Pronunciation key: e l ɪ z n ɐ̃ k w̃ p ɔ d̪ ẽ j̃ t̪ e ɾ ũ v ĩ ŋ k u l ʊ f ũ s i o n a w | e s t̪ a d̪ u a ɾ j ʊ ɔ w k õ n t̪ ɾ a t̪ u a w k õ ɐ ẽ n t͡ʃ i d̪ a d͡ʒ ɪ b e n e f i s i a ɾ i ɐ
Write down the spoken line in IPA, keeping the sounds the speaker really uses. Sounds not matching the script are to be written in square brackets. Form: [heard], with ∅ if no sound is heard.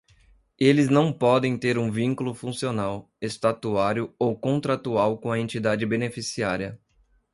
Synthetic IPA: e l ɪ z n ɐ̃ [∅] w̃ p ɔ d̪ ẽ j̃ t̪ e ɾ ũ v ĩ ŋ k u l ʊ f ũ s i o n a w | e s t̪ a [t̪] u a ɾ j ʊ [o] w k õ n t̪ ɾ a t̪ u a w k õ ɐ ẽ n t͡ʃ i d̪ a d͡ʒ ɪ b e n e f i s i a ɾ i ɐ